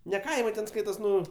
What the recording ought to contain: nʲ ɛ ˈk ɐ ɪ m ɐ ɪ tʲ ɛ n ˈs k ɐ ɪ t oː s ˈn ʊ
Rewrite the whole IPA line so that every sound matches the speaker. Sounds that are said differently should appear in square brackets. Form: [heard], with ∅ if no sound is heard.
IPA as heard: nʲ ɛ ˈk ɐ ɪ m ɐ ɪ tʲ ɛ n ˈs k ɐ ɪ t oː s ˈn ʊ

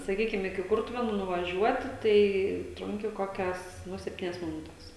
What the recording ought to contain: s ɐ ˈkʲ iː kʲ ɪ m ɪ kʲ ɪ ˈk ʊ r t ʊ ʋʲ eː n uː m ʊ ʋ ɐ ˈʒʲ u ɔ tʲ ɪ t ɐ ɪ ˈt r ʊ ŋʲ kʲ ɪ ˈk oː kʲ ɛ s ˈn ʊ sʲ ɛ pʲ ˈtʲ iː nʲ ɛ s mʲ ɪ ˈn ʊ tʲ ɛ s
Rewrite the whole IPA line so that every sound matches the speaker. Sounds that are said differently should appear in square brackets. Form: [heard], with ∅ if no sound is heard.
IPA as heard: s ɐ ˈkʲ iː kʲ ɪ m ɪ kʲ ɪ ˈk ʊ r t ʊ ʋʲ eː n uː [n] ʊ ʋ ɐ ˈʒʲ u ɔ tʲ ɪ t ɐ ɪ ˈt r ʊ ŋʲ kʲ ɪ ˈk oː kʲ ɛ s ˈn ʊ sʲ ɛ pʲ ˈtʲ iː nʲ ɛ s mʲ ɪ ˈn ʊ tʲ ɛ s

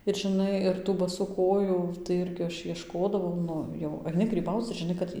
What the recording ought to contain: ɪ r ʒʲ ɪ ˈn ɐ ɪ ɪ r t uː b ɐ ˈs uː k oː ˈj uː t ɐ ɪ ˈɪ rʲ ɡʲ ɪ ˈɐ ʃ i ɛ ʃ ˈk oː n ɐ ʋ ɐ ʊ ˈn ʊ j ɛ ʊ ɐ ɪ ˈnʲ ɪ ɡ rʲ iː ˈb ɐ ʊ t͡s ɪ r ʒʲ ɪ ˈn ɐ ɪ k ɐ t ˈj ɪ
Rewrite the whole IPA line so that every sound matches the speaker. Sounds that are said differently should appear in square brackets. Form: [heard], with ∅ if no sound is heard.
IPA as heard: ɪ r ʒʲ ɪ ˈn ɐ ɪ ɪ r t uː b ɐ ˈs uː k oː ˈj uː t ɐ ɪ ˈɪ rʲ ɡʲ ɪ ˈɐ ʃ i ɛ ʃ ˈk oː [d] ɐ ʋ ɐ ʊ ˈn ʊ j ɛ ʊ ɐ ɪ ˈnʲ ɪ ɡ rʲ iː ˈb ɐ ʊ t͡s ɪ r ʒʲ ɪ ˈn ɐ ɪ k ɐ t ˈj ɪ

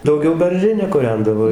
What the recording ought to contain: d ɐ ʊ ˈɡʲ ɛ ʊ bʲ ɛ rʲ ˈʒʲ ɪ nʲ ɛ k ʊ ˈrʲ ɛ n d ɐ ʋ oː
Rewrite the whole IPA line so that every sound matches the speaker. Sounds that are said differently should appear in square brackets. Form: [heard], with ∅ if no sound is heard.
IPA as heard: d ɐ ʊ ˈɡʲ ɛ ʊ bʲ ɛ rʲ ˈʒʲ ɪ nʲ ɛ k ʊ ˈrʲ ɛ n d ɐ ʋ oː

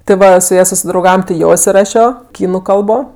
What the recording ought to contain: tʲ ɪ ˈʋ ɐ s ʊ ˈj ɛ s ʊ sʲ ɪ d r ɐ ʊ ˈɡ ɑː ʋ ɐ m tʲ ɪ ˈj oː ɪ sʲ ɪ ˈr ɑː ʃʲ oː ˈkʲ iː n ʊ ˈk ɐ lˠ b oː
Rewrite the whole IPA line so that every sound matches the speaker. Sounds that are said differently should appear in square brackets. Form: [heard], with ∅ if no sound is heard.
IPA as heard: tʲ ɪ ˈʋ ɐ s ʊ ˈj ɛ s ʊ sʲ ɪ d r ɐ ʊ ˈɡ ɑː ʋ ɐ m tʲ ɪ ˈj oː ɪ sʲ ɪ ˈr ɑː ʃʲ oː ˈkʲ iː n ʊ ˈk ɐ lˠ b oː

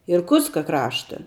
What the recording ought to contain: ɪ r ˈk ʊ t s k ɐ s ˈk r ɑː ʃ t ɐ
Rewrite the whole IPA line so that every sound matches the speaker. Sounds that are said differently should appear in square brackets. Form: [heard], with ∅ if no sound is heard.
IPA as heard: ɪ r ˈk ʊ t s k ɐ [∅] ˈk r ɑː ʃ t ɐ

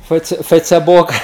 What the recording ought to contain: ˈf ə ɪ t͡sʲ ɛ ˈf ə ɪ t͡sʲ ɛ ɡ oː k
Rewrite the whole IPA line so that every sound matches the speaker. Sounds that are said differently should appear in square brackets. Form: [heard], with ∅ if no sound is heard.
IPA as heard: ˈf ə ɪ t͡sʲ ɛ ˈf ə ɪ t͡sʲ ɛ [b] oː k

